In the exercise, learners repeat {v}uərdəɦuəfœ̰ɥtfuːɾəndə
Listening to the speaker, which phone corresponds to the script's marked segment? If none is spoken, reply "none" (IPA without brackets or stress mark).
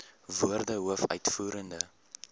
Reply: v